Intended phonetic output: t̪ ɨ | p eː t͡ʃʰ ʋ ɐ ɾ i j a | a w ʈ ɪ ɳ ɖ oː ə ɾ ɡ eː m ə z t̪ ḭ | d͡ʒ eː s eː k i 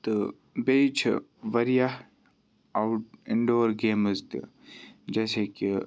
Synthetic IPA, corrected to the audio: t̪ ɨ | b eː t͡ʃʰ ʋ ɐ ɾ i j a | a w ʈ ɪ ɳ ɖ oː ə ɾ ɡ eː m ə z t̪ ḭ | d͡ʒ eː s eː k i